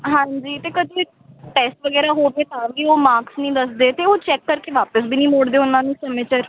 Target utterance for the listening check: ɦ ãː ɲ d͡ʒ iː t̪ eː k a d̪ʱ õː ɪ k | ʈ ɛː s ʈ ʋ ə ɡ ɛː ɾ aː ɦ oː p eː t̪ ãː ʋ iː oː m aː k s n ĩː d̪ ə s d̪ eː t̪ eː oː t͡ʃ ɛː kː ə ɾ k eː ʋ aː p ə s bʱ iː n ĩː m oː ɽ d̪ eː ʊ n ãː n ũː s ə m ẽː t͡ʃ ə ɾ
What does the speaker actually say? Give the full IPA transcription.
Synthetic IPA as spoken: ɦ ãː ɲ d͡ʒ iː t̪ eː k ə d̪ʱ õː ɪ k | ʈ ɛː s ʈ ʋ ə ɡ ɛː ɾ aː ɦ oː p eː t̪ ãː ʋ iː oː m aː k s n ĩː d̪ ə s d̪ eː t̪ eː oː t͡ʃ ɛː kː ə ɾ k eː ʋ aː p ə s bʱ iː n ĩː m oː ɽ d̪ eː ʊ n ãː n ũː s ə m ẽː t͡ʃ ə ɾ